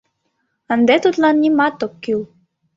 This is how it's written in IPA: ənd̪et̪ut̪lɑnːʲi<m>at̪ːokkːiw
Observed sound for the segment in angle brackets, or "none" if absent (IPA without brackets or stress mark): m